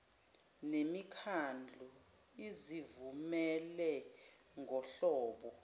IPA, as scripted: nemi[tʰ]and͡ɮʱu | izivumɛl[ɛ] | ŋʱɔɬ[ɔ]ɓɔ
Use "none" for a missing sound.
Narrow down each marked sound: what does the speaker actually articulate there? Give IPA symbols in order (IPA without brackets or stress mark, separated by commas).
kʰ, ɛ, ɔː